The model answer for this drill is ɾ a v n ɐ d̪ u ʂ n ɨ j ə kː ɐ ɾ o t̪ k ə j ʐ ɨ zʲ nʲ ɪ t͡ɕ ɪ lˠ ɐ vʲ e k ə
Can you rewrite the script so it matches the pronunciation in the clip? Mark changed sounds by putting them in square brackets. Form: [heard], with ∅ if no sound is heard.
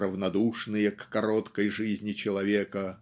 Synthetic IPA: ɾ [ə] v n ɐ d̪ u ʂ n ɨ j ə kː ɐ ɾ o t̪ k ə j ʐ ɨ zʲ nʲ ɪ t͡ɕ ɪ lˠ ɐ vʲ e k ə